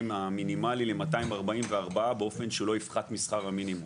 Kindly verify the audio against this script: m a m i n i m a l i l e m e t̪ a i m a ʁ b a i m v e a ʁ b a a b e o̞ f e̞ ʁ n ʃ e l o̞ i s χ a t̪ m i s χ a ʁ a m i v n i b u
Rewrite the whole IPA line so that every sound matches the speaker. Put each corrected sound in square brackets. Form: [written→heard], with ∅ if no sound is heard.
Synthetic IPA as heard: m a m i n i m a l i l e m [e→a] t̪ a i m a ʁ b a i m v e a ʁ b a a b e o̞ f e̞ [ʁ→∅] n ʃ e l o̞ i [s→f] χ a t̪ m i s χ a ʁ a m i [v→∅] n i [b→m] u